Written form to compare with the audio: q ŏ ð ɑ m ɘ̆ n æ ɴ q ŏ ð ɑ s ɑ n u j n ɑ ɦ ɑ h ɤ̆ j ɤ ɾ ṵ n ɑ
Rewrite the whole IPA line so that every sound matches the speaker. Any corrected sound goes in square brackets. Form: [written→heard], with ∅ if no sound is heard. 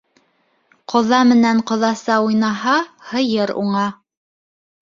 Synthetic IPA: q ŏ ð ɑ m ɘ̆ n æ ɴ q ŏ ð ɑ s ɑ [n→∅] u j n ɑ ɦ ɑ h ɤ̆ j ɤ ɾ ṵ [n→ɴ] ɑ

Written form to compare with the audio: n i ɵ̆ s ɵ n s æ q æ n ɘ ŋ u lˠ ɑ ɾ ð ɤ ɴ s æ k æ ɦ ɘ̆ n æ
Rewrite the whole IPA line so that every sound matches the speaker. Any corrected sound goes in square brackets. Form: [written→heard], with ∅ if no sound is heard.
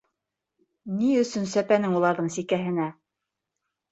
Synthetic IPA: n i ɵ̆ s ɵ n s æ [q→p] æ n ɘ ŋ u lˠ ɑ ɾ ð ɤ ɴ s [æ→i] k æ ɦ ɘ̆ n æ

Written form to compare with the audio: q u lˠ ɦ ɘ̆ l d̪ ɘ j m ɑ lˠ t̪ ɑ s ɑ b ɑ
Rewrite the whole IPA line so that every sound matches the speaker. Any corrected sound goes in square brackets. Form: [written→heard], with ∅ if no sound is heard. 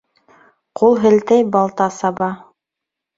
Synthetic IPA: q u lˠ ɦ ɘ̆ l [d̪→t̪] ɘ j [m→b] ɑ lˠ t̪ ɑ s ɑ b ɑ

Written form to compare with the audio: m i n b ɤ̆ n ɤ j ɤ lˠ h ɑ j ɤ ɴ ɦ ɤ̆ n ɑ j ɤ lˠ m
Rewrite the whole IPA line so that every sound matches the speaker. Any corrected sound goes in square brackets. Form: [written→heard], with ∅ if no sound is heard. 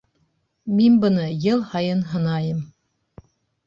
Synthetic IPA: m i n b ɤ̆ n ɤ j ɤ lˠ h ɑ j ɤ [ɴ→n] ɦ ɤ̆ n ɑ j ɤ [lˠ→∅] m

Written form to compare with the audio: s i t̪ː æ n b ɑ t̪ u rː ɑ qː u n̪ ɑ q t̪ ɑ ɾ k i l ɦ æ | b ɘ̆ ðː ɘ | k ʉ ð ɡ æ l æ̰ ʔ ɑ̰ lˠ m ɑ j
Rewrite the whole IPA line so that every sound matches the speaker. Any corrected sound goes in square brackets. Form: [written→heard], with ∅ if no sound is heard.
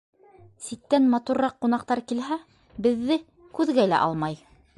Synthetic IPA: s i t̪ː æ n [b→m] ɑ t̪ u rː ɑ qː u n̪ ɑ q t̪ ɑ ɾ k i l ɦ æ | b ɘ̆ ðː ɘ | k ʉ ð ɡ æ l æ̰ ʔ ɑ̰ lˠ m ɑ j

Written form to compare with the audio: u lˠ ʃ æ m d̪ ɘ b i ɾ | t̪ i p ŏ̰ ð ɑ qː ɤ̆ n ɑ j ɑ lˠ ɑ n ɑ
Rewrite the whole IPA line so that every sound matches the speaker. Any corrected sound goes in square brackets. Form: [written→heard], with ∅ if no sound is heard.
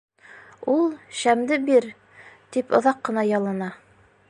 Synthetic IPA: u lˠ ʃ æ m d̪ ɘ b i ɾ | t̪ i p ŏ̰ ð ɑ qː ɤ̆ n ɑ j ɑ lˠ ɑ n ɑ

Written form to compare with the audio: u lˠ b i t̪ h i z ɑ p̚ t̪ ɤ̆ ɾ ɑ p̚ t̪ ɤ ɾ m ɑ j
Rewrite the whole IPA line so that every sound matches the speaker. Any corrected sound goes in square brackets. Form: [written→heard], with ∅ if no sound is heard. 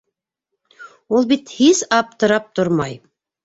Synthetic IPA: u lˠ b i t̪ h i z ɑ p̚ t̪ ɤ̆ ɾ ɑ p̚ t̪ [ɤ→o] ɾ m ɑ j

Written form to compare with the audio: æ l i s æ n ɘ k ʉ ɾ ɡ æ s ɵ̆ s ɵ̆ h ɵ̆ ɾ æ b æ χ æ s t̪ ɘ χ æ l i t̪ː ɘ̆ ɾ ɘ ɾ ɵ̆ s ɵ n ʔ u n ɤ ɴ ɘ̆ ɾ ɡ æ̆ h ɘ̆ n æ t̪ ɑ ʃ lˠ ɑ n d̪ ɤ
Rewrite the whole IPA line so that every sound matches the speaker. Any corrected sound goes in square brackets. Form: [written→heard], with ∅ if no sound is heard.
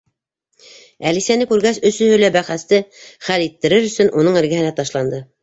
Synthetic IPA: æ l i s æ n ɘ k ʉ ɾ ɡ æ s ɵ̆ s ɵ̆ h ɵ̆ [ɾ→l] æ b æ χ æ s t̪ ɘ χ æ l i t̪ː ɘ̆ ɾ ɘ ɾ ɵ̆ s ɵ n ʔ u n ɤ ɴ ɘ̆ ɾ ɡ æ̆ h ɘ̆ n æ t̪ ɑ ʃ lˠ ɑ n d̪ ɤ

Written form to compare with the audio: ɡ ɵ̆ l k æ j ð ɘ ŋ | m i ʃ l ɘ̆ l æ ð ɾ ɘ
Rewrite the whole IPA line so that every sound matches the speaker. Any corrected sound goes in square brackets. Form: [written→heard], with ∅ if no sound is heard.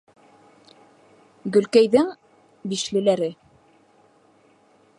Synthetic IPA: ɡ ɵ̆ l k æ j ð ɘ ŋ | [m→b] i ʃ l ɘ̆ l æ [ð→∅] ɾ ɘ

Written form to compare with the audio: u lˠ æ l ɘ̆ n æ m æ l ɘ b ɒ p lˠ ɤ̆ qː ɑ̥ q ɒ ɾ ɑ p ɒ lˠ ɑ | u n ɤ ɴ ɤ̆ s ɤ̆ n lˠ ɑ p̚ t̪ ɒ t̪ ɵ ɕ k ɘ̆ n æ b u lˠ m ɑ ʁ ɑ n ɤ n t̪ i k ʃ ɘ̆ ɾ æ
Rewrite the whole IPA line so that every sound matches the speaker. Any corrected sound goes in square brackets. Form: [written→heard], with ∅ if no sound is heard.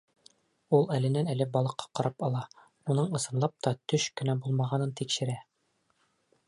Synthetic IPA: u lˠ æ l ɘ̆ n æ [m→n] æ l ɘ b ɒ [p→∅] lˠ ɤ̆ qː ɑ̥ q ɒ ɾ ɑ p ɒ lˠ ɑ | u n ɤ ɴ ɤ̆ s ɤ̆ n lˠ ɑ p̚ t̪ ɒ t̪ ɵ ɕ k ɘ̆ n æ b u lˠ m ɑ ʁ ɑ n ɤ n t̪ i k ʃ ɘ̆ ɾ æ

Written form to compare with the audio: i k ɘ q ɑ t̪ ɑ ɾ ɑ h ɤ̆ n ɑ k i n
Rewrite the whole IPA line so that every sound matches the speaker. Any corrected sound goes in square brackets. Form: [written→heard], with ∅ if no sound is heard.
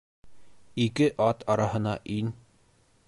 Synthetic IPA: i k ɘ [q→ʔ] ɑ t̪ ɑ ɾ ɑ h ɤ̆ n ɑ [k→ʔ] i n

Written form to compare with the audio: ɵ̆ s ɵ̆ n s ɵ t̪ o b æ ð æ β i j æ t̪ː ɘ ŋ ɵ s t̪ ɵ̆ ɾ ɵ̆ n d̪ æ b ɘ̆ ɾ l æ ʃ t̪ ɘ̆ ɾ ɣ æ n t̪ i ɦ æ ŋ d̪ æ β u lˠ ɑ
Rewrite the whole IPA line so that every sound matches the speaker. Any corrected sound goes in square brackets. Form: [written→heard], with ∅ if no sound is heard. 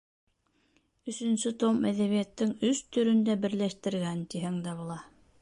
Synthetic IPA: ɵ̆ s ɵ̆ n s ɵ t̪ o [b→m] æ ð æ β i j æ t̪ː ɘ ŋ ɵ s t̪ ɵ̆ ɾ ɵ̆ n d̪ æ b ɘ̆ ɾ l æ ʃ t̪ ɘ̆ ɾ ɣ æ n t̪ i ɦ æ ŋ d̪ æ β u lˠ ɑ

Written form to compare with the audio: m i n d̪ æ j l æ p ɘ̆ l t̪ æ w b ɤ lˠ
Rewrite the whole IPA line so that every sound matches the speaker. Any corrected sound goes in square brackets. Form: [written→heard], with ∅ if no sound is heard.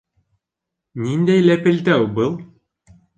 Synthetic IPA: [m→n] i n d̪ æ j l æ p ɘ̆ l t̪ æ w b ɤ lˠ

